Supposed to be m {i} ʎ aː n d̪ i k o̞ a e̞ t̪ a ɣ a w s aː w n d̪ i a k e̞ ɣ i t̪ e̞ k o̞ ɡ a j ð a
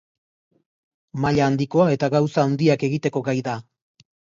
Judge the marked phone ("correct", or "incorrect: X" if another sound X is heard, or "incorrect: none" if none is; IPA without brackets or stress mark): incorrect: a